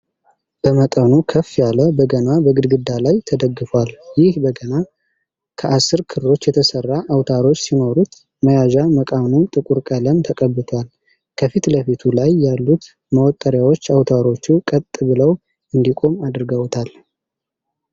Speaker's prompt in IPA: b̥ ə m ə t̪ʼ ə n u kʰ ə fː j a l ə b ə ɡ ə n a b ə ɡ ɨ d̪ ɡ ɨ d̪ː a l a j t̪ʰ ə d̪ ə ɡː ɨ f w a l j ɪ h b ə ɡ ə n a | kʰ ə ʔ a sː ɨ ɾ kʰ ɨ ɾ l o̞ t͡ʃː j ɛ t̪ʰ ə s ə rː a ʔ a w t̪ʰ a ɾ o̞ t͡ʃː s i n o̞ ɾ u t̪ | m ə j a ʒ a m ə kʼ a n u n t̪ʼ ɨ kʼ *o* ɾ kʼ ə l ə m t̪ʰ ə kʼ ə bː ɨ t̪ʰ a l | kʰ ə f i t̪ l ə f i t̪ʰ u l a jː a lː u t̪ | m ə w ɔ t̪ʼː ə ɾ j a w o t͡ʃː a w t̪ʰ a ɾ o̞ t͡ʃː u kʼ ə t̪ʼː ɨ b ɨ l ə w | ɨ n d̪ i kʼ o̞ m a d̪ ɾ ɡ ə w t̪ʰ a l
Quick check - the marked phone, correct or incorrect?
incorrect